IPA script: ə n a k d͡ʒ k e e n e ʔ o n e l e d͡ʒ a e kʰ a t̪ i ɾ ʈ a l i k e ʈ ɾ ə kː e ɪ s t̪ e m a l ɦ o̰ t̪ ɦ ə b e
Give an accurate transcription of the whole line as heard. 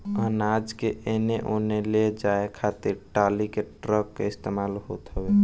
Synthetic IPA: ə n a d͡ʒ k e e n e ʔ o n e l e d͡ʒ a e kʰ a t̪ i ɾ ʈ a l i k e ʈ ɾ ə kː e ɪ s t̪ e m a l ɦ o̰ t̪ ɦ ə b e

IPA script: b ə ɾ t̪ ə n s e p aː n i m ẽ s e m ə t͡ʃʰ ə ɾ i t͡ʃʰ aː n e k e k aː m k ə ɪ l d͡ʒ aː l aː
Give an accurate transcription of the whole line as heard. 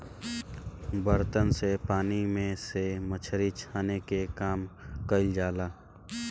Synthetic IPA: b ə ɾ t̪ ə n s e p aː n i m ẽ s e m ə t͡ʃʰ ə ɾ i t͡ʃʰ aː n e k e k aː m k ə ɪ l d͡ʒ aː l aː

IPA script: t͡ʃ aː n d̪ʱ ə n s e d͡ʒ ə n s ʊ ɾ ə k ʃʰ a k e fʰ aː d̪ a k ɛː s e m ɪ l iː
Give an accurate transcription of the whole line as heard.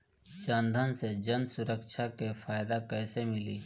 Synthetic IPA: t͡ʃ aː n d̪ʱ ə n s e d͡ʒ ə n s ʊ ɾ ə k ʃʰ a k e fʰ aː d̪ a k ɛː s e m ɪ l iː

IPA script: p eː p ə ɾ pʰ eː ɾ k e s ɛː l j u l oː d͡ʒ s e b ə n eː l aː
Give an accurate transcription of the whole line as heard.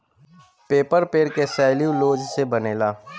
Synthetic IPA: p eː p ə ɾ p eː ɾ k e s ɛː l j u l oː d͡ʒ s e b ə n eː l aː

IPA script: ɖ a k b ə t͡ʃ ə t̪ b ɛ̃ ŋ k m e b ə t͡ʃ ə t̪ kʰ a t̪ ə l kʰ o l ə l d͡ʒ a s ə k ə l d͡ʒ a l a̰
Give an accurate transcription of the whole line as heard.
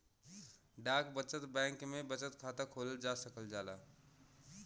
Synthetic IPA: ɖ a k b ə t͡ʃ ə t̪ b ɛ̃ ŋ k m e b ə t͡ʃ ə t̪ kʰ a t̪ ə kʰ o l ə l d͡ʒ a s ə k ə l d͡ʒ a l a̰

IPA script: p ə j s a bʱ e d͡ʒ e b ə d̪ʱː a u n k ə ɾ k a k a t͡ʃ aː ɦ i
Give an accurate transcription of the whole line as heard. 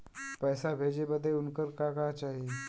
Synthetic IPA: p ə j s a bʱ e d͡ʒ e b ə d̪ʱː e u n k ə ɾ k a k a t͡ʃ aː ɦ i

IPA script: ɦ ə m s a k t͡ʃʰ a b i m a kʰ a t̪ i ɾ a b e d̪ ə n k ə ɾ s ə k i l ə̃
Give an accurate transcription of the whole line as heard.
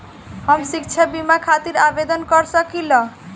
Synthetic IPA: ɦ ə m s i k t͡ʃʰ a b i m a kʰ a t̪ i ɾ a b e d̪ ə n k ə ɾ s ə k i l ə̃

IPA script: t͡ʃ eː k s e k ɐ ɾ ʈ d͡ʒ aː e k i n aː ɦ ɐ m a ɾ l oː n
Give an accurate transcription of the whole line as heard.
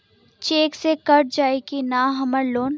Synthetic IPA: t͡ʃ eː k s e k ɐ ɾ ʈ d͡ʒ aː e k i n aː ɦ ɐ m ə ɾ l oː n

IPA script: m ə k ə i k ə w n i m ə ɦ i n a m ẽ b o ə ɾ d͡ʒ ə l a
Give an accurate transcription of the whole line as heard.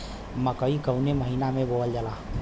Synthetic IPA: m ə k ə i k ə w n e m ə ɦ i n a m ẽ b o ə l d͡ʒ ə l a

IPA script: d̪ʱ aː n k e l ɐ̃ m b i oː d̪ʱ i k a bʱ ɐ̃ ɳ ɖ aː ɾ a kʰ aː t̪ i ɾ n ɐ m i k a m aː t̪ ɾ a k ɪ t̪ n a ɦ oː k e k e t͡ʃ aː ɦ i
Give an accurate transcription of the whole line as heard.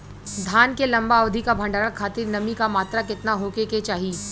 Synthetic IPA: d̪ʱ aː n k e l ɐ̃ m b a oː d̪ʱ i k a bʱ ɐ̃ ɳ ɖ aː ɾ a kʰ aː t̪ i ɾ n ɐ m i k a m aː t̪ ɾ a k ɪ t̪ n a ɦ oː k e k e t͡ʃ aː ɦ i

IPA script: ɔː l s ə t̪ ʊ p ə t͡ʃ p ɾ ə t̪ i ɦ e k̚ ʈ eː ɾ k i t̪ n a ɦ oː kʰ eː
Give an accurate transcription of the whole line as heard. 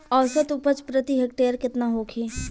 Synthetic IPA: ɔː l s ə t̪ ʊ p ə t͡ʃ p ɾ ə t̪ i ɦ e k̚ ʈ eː ɾ k ɪ t̪ n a ɦ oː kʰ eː

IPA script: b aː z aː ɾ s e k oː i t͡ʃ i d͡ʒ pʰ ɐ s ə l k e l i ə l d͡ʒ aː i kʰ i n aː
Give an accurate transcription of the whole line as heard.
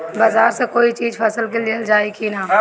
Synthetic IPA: b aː z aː ɾ s e k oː i t͡ʃ iː d͡ʒ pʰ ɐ s ə l k e l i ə l d͡ʒ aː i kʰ i n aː

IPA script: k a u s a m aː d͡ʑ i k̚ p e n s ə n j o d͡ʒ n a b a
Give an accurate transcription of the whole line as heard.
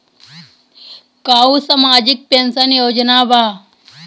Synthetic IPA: k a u s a m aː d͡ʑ i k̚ p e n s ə n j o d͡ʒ n a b a

